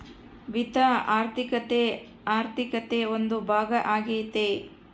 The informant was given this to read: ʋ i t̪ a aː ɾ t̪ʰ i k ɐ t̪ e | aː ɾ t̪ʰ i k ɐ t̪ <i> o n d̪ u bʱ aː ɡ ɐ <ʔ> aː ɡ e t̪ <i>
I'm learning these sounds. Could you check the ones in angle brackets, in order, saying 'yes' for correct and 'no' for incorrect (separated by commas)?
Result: no, yes, no